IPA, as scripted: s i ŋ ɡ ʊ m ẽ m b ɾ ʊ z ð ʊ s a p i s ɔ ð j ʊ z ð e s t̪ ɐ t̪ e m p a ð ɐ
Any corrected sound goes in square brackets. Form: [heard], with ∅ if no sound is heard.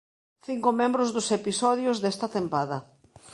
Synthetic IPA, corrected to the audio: [θ] i ŋ [k] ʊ m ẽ m b ɾ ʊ z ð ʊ s [e] p i s ɔ ð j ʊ z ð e s t̪ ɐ t̪ e m p a ð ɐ